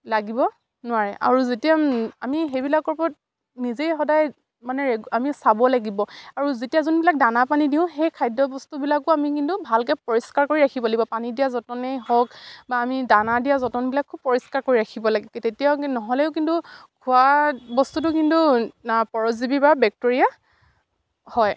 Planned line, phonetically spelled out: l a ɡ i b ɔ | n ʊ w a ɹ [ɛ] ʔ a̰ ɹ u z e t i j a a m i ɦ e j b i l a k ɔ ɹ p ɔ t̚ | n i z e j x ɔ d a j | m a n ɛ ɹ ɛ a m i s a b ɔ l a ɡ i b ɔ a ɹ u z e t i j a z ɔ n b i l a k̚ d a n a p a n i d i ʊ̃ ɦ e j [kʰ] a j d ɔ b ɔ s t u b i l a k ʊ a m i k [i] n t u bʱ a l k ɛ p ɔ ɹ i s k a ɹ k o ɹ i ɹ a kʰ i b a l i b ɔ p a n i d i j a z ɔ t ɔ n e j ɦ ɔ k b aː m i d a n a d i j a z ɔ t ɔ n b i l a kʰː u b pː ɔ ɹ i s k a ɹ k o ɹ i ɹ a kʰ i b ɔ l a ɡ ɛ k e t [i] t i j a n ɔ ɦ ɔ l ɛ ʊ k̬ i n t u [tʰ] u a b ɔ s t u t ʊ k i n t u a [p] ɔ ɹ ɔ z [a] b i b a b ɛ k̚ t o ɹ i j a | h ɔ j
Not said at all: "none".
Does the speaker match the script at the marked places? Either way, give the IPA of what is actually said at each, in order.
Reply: ɛ, kʰ, i, e, kʰ, p, i

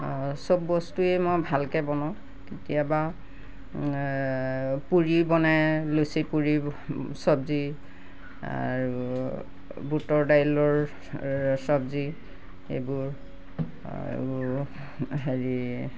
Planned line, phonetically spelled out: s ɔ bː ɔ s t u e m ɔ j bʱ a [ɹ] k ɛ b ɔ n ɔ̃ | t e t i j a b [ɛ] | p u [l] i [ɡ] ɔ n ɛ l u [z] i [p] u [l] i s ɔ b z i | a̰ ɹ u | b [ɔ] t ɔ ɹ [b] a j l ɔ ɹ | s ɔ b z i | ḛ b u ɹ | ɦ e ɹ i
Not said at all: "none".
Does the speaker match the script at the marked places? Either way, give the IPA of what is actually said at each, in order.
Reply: l, a, ɹ, b, s, p, ɹ, u, d

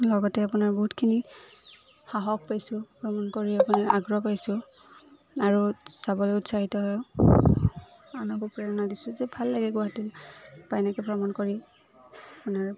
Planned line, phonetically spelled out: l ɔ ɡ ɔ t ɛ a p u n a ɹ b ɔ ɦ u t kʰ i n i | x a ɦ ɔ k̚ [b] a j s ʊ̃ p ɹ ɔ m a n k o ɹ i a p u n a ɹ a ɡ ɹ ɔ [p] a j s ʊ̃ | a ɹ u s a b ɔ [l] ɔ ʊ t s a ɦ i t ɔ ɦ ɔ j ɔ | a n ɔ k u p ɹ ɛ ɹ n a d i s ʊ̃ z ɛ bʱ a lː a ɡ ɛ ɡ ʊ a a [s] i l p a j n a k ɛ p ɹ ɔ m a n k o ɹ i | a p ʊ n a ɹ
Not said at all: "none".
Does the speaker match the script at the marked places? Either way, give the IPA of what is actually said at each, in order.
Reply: p, p, l, t

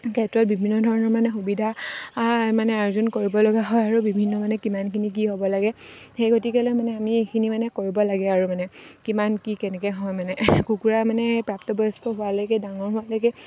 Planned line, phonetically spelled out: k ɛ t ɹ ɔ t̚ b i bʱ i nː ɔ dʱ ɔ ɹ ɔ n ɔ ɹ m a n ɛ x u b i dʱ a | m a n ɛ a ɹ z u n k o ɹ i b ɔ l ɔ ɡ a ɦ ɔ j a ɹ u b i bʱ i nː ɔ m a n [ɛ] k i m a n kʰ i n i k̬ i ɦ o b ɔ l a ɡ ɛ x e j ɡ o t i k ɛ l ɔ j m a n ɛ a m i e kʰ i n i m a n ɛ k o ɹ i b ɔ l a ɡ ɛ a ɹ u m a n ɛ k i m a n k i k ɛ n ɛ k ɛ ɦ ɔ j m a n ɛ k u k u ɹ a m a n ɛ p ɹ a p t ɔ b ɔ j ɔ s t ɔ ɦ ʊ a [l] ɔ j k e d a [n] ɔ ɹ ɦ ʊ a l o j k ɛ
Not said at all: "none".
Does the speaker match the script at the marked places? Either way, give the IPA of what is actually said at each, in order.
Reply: ɛ, l, ŋ

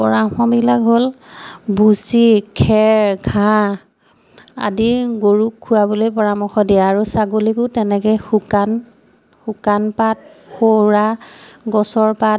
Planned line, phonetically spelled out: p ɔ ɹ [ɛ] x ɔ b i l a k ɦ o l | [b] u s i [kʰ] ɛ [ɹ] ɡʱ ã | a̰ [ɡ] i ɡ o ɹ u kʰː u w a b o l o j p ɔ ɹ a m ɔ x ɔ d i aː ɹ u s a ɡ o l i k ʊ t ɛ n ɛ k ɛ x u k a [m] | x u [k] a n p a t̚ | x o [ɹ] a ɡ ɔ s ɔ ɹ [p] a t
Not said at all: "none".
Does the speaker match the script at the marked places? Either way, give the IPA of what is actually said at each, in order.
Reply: a, b, kʰ, ɹ, d, n, k, ɹ, p

